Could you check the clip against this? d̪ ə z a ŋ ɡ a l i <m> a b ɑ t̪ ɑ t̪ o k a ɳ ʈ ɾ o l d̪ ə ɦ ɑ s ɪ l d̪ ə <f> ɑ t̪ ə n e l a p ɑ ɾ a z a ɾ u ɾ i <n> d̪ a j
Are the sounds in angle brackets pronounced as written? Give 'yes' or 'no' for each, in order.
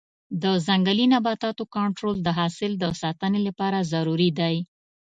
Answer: no, no, no

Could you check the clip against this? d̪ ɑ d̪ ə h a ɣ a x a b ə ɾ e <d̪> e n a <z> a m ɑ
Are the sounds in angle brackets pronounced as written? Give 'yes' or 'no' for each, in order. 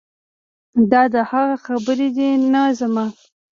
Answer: yes, yes

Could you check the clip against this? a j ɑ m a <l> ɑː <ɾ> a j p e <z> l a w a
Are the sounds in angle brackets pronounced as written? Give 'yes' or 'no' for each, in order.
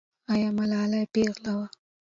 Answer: yes, no, no

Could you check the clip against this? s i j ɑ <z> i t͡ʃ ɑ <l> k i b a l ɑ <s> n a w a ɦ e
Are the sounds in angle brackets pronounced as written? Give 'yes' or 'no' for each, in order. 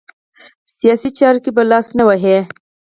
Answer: no, no, yes

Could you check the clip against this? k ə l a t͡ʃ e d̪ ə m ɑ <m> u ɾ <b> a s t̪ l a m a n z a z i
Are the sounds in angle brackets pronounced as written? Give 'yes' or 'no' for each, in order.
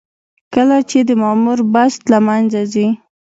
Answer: yes, yes

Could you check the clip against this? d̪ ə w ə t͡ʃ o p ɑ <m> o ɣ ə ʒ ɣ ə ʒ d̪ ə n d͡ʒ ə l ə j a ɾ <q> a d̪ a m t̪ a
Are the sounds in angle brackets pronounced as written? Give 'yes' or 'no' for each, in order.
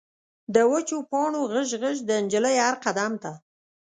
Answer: no, yes

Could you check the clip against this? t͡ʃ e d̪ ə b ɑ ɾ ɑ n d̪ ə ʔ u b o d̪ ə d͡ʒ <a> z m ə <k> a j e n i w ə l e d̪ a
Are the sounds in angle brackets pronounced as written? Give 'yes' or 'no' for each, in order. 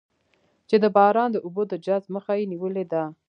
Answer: yes, no

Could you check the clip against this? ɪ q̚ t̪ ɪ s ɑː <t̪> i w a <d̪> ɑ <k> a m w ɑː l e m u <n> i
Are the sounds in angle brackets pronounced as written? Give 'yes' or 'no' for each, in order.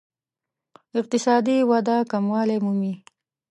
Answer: no, yes, yes, no

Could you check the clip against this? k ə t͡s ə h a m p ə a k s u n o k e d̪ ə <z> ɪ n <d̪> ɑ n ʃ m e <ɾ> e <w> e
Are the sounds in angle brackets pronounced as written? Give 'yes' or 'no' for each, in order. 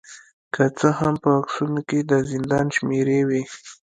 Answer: yes, yes, yes, yes

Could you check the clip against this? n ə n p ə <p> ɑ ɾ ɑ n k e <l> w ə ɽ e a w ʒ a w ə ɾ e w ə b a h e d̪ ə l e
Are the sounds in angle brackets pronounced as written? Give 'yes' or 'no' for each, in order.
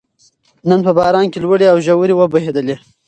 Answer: no, yes

